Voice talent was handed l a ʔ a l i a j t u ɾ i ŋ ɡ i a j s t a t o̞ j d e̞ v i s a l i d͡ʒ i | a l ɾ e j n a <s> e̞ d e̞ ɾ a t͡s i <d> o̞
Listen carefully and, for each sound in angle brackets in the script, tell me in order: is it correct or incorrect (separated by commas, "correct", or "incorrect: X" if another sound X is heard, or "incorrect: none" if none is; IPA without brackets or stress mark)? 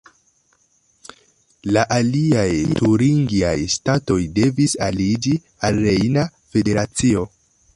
incorrect: f, incorrect: none